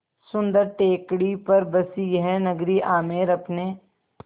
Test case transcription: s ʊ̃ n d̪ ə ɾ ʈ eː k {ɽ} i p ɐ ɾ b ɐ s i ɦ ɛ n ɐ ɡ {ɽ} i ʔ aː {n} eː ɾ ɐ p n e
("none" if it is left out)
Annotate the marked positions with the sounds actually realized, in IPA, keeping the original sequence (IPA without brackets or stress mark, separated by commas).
ɽ, ɾ, m